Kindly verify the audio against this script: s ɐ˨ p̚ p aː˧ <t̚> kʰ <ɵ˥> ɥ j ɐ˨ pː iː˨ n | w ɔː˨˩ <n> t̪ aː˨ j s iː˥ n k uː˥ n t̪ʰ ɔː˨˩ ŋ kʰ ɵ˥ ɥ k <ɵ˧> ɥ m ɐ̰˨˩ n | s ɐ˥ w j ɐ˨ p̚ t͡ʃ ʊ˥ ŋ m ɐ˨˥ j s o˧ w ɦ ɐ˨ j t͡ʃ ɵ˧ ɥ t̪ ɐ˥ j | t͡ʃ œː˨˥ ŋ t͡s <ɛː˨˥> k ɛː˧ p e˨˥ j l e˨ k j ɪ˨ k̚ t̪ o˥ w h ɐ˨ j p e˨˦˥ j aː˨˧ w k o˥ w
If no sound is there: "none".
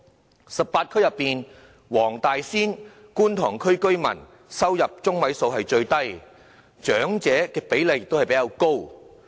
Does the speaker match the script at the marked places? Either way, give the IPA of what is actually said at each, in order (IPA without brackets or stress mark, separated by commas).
t̚, ɵ˥, ŋ, ɵ˥, ɛː˨˥